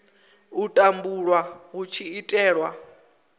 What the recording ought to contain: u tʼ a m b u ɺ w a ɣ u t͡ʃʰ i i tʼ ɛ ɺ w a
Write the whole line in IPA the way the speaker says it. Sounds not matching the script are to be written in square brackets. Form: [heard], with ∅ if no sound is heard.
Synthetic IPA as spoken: u tʼ a m b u ɺ w a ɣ u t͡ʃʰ i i tʼ [ɛː] ɺ w a